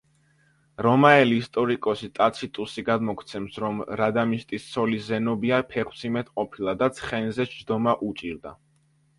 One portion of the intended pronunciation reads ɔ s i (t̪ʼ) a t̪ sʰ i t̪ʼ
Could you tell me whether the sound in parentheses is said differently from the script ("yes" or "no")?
no